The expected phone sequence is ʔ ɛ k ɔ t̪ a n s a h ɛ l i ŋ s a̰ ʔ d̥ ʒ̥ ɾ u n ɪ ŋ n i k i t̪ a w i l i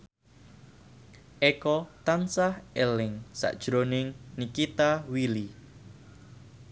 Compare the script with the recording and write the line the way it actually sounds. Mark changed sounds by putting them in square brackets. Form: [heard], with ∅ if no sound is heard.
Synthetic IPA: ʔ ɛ k ɔ t̪ a n s a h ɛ l [ɪ] ŋ s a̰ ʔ d̥ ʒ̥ ɾ [o] n ɪ ŋ n i k i t̪ a w i l i